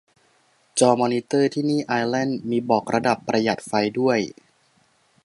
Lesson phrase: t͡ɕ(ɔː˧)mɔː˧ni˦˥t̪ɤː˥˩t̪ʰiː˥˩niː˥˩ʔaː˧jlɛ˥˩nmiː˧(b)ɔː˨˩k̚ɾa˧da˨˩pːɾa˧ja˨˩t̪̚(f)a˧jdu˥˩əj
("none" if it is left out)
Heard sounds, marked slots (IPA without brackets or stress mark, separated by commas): ɔː˧, b, f